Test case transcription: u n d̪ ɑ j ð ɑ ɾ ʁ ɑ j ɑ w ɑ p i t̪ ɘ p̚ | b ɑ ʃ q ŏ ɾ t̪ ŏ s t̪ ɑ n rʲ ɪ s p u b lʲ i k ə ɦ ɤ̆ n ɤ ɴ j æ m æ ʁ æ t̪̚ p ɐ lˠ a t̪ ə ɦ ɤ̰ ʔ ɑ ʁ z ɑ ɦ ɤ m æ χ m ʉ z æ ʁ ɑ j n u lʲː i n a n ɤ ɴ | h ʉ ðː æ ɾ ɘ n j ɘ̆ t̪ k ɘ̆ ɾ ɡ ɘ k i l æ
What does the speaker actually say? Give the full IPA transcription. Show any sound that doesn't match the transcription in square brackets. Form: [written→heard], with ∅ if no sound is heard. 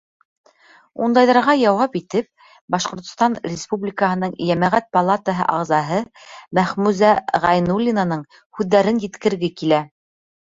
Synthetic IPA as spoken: u n d̪ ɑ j ð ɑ ɾ ʁ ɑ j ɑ w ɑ p i t̪ ɘ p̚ | b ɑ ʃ q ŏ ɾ t̪ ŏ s t̪ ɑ n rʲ ɪ s p u b lʲ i k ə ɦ ɤ̆ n ɤ ɴ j æ m æ ʁ æ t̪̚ p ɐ lˠ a t̪ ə ɦ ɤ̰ ʔ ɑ ʁ z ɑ ɦ ɤ m æ χ m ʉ z æ ʁ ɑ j n u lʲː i n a n ɤ ɴ | h ʉ ðː æ ɾ ɘ n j ɘ̆ t̪ k ɘ̆ ɾ ɡ ɘ k i l æ

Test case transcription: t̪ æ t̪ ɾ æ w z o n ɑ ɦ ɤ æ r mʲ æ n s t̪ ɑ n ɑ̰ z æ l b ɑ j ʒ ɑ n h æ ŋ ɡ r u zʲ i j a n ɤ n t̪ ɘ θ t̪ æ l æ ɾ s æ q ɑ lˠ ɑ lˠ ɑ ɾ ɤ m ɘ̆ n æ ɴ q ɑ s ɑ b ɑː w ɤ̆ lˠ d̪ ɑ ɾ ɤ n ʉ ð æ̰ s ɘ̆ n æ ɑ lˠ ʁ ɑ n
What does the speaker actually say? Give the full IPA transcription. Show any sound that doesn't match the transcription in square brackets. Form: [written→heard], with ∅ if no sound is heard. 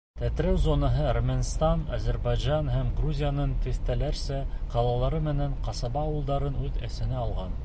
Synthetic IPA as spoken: t̪ æ t̪ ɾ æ w z o n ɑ ɦ ɤ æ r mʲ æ n s t̪ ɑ n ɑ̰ z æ [l→ɾ] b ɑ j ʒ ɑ n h æ [ŋ→m] ɡ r u zʲ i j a n ɤ n t̪ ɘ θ t̪ æ l æ ɾ s æ q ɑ lˠ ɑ lˠ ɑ ɾ ɤ m ɘ̆ n æ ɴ q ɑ s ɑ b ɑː w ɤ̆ lˠ d̪ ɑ ɾ ɤ n ʉ ð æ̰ s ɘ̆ n æ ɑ lˠ ʁ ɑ n

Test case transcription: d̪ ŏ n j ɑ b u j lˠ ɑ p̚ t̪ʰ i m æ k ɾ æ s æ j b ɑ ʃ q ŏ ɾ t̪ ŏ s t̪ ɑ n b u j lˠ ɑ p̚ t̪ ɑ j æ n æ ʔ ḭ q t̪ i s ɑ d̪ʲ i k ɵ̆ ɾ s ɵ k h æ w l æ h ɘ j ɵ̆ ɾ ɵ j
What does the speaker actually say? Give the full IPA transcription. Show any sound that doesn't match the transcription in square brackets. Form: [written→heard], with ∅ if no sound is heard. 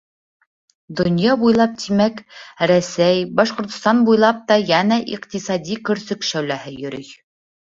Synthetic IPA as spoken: d̪ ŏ n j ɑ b u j lˠ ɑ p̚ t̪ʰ i m æ k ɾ æ s æ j b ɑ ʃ q ŏ ɾ t̪ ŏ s t̪ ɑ n b u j lˠ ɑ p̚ t̪ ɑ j æ n æ ʔ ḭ q t̪ i s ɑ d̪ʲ i k ɵ̆ ɾ s ɵ k [h→ʃ] æ w l æ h ɘ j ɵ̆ ɾ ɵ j

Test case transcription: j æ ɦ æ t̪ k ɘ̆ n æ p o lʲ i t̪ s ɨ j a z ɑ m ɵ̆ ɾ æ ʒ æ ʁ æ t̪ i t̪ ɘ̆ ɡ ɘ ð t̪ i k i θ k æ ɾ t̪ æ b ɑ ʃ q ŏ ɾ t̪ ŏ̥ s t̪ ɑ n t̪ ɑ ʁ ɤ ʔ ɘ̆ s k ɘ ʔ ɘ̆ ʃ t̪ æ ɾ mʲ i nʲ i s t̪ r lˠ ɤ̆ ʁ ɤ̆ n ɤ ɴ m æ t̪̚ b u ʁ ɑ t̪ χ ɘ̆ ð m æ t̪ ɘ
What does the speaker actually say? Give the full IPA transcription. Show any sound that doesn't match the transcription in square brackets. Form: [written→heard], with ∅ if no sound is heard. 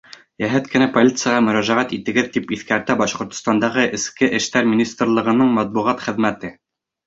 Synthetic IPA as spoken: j æ ɦ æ t̪ k ɘ̆ n æ p o lʲ i t̪ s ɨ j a [z→ʁ] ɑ m ɵ̆ ɾ æ ʒ æ ʁ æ t̪ i t̪ ɘ̆ ɡ ɘ ð t̪ i [k→p] i θ k æ ɾ t̪ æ b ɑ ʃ q ŏ ɾ t̪ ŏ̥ s t̪ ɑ n [t̪→d̪] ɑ ʁ ɤ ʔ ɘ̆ s k ɘ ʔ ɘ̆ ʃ t̪ æ ɾ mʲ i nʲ i s t̪ r lˠ ɤ̆ ʁ ɤ̆ n ɤ ɴ m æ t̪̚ b u ʁ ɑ t̪ χ ɘ̆ ð m æ t̪ ɘ

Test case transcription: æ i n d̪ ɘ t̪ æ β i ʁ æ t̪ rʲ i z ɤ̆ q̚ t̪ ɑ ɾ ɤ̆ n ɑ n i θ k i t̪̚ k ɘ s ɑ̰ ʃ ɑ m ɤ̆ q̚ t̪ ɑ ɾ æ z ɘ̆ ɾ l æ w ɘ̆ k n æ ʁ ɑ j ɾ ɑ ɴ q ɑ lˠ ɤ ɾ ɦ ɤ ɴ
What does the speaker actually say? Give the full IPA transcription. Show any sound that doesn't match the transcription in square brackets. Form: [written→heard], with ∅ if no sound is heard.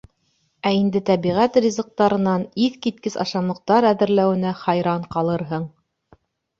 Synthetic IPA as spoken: æ i n d̪ ɘ t̪ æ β i ʁ æ t̪ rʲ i z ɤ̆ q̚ t̪ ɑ ɾ ɤ̆ n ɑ n i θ k i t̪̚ k ɘ s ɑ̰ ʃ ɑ m ɤ̆ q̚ t̪ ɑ ɾ æ [z→ð] ɘ̆ ɾ l æ w ɘ̆ [k→∅] n æ [ʁ→χ] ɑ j ɾ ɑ ɴ q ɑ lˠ ɤ ɾ ɦ ɤ ɴ

